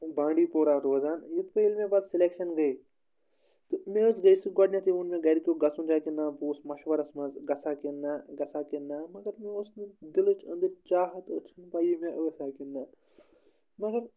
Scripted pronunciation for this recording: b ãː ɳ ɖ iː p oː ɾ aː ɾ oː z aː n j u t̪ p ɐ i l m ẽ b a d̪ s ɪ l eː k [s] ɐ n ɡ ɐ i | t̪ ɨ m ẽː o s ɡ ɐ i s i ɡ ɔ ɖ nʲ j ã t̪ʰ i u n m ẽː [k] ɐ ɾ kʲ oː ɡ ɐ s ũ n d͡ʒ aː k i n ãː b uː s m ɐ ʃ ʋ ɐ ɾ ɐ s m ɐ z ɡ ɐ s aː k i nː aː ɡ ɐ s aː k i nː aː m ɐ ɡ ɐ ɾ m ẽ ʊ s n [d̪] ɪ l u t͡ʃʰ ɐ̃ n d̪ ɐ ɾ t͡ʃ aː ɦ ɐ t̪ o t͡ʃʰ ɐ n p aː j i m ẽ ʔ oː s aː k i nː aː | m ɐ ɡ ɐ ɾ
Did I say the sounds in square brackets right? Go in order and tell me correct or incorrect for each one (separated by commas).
incorrect, incorrect, correct